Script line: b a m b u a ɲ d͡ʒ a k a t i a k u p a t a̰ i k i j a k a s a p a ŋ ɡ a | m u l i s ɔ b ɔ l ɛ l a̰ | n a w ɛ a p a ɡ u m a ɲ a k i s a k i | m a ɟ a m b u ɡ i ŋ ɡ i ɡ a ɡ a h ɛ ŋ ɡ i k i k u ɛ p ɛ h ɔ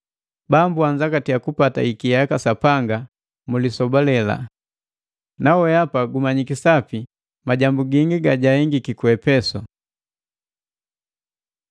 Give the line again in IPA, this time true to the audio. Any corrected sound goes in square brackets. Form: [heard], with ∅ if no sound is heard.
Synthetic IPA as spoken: b a m b u a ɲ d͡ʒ a k a t i a k u p a t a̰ i k i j a k a s a p a ŋ ɡ a | m u l i s ɔ b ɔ l ɛ l a̰ | n a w ɛ a p a ɡ u m a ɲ [i] k i s a [p] i | m a ɟ a m b u ɡ i ŋ ɡ i ɡ a [ɟ] a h ɛ ŋ ɡ i k i k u ɛ p ɛ [s] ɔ